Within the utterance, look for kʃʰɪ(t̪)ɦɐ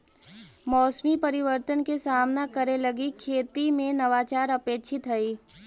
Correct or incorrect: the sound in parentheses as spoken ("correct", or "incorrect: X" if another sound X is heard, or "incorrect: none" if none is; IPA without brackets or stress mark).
correct